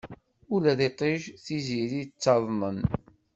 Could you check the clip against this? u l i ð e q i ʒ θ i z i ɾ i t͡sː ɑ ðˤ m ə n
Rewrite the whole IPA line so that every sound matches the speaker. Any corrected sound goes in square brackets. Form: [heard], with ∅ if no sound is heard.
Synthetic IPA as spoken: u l [æ] ð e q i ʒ θ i z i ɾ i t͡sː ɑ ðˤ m ə n